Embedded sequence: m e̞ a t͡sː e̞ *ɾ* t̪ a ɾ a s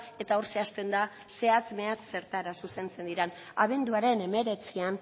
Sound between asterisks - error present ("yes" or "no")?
no